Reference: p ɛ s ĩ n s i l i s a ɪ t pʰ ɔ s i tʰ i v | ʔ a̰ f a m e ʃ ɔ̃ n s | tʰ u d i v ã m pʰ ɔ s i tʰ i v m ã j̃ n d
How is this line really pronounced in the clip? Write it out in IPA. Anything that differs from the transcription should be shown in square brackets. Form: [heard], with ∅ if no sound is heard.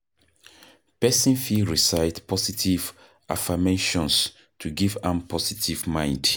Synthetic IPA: p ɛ s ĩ n [f] i [ɹ] i s a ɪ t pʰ ɔ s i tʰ i v | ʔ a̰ f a m e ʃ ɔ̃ n s | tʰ u [ɡ] i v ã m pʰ ɔ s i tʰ i v m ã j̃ n d